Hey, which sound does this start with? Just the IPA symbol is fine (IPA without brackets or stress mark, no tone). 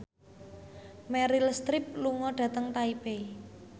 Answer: m